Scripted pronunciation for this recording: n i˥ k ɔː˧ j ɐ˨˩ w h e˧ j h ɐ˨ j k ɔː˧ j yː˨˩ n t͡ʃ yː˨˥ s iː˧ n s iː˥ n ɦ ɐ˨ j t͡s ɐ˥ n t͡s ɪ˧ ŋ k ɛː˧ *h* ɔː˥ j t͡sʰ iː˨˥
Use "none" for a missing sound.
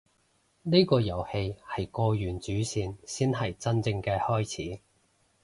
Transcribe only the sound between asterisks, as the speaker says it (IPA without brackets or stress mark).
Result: h